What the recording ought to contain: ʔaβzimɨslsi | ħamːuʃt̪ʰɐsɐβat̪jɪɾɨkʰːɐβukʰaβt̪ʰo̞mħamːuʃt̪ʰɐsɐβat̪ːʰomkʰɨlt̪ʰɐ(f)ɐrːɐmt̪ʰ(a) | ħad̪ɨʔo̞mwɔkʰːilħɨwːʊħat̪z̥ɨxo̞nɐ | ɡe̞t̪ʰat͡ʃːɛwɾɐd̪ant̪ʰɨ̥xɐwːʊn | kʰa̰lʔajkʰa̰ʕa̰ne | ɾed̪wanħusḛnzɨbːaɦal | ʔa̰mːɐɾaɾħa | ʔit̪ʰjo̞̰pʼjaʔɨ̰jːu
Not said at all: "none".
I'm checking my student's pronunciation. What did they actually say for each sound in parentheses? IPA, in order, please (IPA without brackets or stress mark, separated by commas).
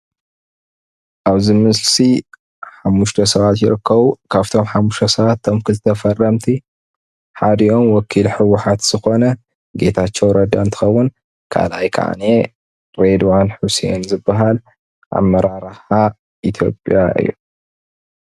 f, i